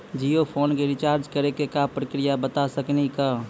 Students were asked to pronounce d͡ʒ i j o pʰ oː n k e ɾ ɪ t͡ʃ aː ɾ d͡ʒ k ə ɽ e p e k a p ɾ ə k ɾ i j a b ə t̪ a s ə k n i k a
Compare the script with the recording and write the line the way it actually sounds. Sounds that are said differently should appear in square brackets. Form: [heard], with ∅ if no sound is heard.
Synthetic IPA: d͡ʒ i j o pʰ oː n k e ɾ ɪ t͡ʃ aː ɾ d͡ʒ k ə [ɾ] e [k] e k a p ɾ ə k ɾ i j a b ə t̪ a s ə k n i k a